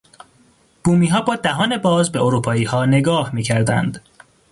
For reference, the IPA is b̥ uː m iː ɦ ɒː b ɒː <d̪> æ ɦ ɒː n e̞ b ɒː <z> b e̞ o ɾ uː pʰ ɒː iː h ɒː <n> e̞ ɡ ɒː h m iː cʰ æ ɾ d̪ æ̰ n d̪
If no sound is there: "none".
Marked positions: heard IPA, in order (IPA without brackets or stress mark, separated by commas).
d̪, z, n